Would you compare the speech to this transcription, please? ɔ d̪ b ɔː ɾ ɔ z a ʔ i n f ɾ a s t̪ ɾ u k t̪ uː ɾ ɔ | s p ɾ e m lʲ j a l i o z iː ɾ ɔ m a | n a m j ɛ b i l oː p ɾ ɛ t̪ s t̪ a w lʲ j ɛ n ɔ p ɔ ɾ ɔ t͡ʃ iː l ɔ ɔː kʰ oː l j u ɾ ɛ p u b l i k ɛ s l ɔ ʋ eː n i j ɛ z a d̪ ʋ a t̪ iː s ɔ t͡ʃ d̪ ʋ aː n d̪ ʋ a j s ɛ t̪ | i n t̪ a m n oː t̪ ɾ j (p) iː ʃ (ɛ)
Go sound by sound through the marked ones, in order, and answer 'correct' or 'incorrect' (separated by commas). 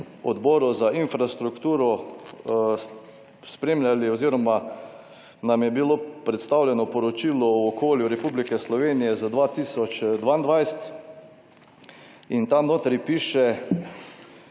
correct, correct